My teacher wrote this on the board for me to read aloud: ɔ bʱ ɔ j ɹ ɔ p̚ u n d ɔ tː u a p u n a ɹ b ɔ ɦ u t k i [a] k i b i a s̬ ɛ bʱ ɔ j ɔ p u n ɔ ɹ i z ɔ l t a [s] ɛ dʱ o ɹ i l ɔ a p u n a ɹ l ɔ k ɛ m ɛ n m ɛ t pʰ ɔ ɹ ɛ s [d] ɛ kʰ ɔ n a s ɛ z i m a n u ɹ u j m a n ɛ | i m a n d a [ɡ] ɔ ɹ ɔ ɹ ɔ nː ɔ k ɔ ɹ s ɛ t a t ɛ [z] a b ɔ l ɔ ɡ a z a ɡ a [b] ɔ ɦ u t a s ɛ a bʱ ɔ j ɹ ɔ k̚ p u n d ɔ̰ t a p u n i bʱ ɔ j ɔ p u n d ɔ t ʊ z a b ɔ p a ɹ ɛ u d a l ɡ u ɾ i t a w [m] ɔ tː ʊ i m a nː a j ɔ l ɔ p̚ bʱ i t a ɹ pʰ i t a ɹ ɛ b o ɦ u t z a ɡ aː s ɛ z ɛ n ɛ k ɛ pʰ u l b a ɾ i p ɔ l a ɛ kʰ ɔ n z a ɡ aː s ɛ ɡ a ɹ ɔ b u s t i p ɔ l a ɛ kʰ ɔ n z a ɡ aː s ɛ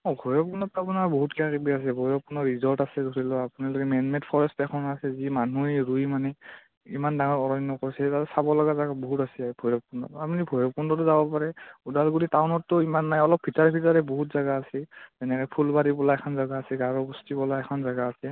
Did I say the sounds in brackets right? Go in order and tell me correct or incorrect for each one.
correct, correct, incorrect: t, incorrect: ŋ, incorrect: s, correct, incorrect: n

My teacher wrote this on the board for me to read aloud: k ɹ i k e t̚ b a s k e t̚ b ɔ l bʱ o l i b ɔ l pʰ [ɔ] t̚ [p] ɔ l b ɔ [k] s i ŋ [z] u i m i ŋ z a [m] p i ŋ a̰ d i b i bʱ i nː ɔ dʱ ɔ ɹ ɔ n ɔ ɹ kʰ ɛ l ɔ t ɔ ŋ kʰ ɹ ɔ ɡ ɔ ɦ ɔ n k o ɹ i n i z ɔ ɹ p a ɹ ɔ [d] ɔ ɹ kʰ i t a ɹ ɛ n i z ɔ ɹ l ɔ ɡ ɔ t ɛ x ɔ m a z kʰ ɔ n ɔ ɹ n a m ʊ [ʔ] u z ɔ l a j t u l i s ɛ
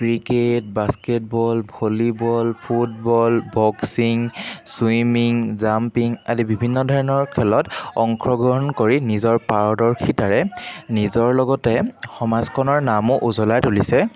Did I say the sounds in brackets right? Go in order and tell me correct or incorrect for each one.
incorrect: u, incorrect: b, correct, incorrect: s, correct, correct, correct

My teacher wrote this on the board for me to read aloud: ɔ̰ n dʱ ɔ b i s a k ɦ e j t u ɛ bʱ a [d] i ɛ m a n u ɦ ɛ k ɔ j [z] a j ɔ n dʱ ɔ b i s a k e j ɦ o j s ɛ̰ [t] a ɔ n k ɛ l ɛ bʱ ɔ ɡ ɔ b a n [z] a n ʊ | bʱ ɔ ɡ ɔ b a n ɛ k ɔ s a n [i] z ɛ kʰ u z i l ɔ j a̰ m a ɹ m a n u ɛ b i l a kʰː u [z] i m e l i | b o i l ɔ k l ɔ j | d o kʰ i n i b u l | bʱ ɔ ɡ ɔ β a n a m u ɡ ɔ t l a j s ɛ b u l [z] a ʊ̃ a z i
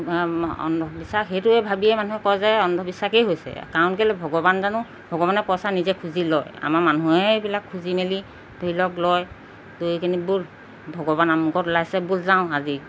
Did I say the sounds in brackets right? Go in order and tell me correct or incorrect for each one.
incorrect: b, correct, incorrect: k, correct, correct, correct, correct

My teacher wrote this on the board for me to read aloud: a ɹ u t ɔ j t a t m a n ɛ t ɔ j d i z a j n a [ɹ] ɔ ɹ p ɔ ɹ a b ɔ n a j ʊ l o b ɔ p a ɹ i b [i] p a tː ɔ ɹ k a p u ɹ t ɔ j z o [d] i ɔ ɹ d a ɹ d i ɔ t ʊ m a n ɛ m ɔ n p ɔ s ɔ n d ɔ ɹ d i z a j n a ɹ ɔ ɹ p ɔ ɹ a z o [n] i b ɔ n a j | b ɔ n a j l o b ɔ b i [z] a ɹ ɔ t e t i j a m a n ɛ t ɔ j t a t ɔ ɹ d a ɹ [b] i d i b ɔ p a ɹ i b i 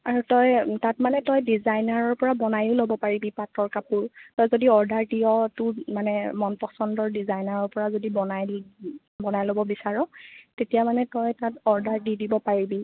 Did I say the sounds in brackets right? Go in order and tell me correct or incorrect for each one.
correct, correct, correct, incorrect: d, incorrect: s, incorrect: d

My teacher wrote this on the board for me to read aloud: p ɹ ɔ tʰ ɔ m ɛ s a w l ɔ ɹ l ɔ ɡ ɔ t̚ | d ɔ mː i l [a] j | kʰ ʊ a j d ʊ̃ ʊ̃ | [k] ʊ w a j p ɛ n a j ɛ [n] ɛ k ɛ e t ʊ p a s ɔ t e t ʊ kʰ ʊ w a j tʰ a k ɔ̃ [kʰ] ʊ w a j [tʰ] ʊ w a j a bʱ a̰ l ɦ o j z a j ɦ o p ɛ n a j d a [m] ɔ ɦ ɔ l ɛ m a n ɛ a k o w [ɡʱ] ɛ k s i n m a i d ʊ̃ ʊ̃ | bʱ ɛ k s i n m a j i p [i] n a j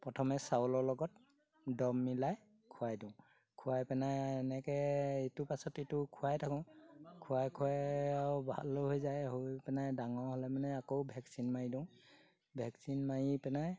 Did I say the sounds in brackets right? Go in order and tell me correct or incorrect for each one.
correct, incorrect: kʰ, correct, correct, incorrect: kʰ, incorrect: ŋ, incorrect: bʱ, incorrect: ɛ

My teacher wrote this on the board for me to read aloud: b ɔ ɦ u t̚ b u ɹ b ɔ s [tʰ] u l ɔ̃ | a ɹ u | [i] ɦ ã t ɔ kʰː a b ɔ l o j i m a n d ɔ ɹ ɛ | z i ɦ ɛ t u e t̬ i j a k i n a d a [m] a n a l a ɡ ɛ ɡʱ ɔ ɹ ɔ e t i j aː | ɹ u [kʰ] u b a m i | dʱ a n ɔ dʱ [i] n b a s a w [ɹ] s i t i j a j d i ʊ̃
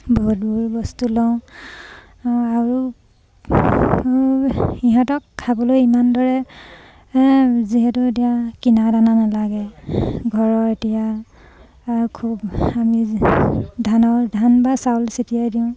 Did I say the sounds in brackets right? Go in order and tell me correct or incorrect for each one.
incorrect: t, correct, incorrect: n, correct, incorrect: a, incorrect: l

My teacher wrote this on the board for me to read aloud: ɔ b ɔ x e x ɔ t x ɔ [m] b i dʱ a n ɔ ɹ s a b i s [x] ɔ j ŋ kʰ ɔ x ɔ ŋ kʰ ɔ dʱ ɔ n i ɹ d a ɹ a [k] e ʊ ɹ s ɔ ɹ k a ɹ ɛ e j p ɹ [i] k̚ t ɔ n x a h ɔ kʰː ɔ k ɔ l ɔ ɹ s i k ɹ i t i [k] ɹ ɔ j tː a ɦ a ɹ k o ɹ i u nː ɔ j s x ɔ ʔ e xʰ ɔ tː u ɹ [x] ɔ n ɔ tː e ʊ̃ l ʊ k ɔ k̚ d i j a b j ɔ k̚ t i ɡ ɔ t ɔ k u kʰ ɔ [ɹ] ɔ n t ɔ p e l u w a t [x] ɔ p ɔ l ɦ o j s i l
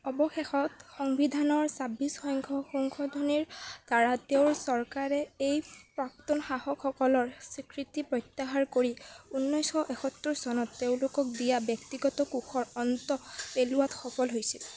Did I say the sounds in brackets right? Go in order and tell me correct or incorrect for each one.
incorrect: ŋ, correct, incorrect: t, incorrect: a, incorrect: p, incorrect: s, correct, correct

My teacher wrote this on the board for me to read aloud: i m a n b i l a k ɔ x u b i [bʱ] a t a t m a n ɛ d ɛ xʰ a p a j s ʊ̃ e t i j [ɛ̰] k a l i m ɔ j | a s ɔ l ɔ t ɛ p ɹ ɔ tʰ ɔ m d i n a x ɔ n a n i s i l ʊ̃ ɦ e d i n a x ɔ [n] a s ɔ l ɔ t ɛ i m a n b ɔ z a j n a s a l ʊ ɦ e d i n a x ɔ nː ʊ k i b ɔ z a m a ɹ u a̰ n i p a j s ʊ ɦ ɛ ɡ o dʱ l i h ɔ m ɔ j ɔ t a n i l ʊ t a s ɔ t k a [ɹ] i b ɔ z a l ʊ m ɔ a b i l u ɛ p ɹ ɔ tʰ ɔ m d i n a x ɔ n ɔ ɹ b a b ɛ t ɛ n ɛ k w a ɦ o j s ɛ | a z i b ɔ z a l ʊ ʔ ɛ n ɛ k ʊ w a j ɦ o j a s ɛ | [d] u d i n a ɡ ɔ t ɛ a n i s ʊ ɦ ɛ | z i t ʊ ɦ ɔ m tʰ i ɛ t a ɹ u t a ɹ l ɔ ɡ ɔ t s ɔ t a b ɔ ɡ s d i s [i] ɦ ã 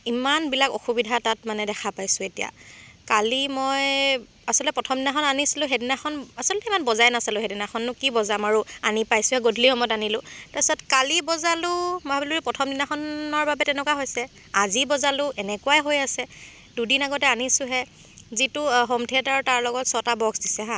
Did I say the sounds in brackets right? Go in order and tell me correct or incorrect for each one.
incorrect: dʱ, incorrect: a̰, correct, incorrect: l, correct, incorrect: ɛ

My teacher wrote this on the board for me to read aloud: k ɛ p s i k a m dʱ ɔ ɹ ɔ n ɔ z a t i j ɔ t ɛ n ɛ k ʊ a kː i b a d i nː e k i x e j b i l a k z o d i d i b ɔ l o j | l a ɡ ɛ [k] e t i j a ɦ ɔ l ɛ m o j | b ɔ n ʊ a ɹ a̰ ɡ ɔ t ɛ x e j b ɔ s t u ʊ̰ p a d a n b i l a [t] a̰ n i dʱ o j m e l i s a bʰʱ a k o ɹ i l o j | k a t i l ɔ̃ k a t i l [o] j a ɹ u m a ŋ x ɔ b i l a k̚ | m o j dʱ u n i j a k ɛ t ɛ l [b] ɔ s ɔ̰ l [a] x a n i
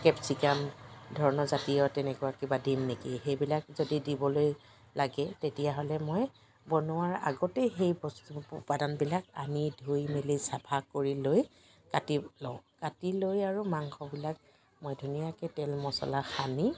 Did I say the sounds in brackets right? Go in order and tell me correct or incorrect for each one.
incorrect: t, incorrect: k, correct, incorrect: m, correct

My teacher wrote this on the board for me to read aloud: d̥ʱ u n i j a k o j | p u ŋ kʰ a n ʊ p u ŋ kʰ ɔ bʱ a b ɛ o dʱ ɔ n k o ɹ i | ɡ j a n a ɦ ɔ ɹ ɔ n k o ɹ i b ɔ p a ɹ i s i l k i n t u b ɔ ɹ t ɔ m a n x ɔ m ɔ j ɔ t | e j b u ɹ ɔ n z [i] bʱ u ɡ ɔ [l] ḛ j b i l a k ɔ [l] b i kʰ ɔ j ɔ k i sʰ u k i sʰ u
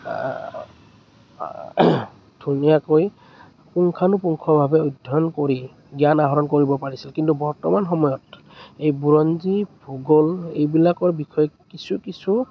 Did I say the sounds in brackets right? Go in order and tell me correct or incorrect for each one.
correct, correct, incorrect: ɹ

